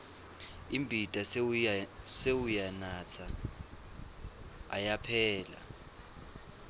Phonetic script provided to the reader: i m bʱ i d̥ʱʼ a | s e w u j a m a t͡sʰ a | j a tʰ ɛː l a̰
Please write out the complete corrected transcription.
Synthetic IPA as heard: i m bʱ i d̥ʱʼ a | s e w u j a n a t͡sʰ a | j a pʰ ɛː l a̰